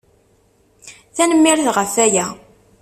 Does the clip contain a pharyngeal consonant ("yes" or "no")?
no